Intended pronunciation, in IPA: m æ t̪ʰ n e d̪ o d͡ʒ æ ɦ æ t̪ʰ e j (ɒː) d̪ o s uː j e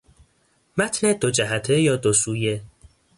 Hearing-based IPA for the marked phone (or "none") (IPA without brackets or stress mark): ɒː